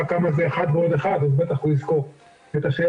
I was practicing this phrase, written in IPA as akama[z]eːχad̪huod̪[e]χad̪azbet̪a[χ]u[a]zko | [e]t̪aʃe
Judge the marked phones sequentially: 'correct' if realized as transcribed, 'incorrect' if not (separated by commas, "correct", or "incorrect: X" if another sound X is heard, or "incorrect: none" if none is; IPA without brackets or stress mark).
correct, correct, correct, incorrect: i, correct